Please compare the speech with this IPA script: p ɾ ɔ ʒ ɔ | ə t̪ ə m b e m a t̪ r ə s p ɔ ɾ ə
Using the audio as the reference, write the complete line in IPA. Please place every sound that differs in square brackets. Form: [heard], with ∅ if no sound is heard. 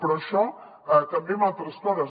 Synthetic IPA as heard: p ɾ ɔ [ʃ] ɔ | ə t̪ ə m b e m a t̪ [ɾ] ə s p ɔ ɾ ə